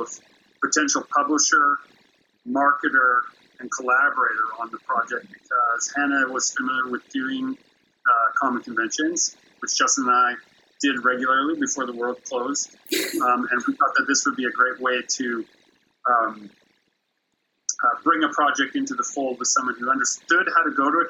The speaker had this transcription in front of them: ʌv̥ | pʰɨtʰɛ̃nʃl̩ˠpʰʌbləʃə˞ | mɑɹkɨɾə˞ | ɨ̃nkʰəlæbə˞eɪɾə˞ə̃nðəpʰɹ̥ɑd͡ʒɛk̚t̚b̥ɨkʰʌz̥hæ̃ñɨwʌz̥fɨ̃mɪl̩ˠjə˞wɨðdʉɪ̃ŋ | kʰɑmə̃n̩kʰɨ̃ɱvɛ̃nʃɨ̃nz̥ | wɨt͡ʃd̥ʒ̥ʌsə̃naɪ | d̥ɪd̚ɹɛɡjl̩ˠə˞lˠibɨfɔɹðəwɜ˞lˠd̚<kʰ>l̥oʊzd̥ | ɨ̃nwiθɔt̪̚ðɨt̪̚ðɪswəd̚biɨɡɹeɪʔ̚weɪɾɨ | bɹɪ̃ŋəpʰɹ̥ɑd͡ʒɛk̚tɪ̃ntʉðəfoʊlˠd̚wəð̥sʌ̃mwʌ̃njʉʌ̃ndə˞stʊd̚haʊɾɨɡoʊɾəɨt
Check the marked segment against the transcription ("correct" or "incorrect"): correct